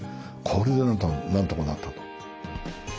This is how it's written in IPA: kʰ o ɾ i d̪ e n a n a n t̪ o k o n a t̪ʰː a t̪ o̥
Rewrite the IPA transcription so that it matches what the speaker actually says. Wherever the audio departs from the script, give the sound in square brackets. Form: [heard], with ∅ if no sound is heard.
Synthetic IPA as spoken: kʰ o ɾ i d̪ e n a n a n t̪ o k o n a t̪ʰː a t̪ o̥